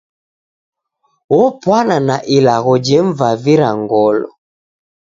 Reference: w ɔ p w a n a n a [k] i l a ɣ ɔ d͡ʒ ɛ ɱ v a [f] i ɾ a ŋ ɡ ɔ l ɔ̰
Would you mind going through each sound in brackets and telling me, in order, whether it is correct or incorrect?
incorrect, incorrect

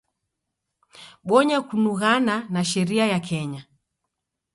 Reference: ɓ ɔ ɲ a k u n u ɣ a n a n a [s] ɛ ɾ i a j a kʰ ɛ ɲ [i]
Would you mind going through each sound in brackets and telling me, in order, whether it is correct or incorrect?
incorrect, incorrect

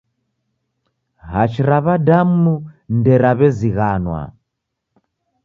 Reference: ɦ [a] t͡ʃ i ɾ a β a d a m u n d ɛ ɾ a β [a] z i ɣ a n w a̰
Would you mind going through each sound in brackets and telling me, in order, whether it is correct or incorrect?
correct, incorrect

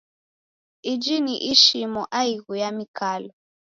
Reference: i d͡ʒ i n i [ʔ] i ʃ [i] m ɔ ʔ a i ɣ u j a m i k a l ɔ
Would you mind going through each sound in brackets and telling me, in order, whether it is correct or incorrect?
correct, correct

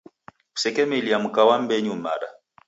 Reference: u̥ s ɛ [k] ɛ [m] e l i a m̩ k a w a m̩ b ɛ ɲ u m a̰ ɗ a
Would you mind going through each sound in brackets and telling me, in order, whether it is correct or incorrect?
correct, correct

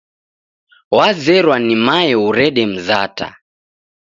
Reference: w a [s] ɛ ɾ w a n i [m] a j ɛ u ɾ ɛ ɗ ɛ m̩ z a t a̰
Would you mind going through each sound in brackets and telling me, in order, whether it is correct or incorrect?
incorrect, correct

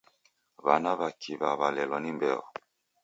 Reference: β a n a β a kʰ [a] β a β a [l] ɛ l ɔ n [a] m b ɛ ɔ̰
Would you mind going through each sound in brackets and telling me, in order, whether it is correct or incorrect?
incorrect, correct, incorrect

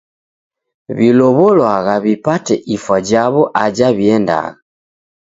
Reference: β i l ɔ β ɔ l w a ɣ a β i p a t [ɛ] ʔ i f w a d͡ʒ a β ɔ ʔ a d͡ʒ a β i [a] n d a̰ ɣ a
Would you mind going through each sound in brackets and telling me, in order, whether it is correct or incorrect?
correct, incorrect

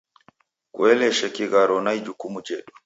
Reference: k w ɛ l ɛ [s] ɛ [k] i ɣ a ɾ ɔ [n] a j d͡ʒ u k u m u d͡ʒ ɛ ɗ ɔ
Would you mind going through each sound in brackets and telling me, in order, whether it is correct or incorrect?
incorrect, correct, correct

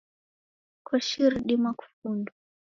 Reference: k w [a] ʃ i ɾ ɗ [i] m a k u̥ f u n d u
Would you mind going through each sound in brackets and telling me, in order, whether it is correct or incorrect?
correct, correct

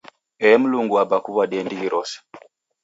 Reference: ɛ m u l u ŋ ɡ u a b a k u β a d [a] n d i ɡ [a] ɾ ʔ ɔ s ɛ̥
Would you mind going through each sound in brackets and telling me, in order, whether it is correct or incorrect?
incorrect, incorrect

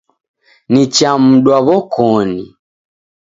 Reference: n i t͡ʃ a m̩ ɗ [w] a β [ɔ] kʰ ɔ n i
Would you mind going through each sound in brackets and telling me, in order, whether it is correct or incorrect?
correct, correct

